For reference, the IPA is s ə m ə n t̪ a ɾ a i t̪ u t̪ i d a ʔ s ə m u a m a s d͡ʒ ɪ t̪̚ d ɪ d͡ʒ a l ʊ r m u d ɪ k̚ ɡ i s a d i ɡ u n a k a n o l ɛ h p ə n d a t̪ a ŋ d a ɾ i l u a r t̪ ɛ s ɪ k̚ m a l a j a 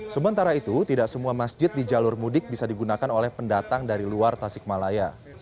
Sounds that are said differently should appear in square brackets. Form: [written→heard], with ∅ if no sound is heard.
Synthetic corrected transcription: s ə m ə n t̪ a ɾ a i t̪ u t̪ i d a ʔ s ə m u a m a s d͡ʒ ɪ t̪̚ d [ɪ→i] d͡ʒ a l ʊ r m u d ɪ k̚ [ɡ→b] i s a d i ɡ u n a k a n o l ɛ h p ə n d a t̪ a ŋ d a ɾ i l u a r t̪ [ɛ→a] s ɪ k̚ m a l a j a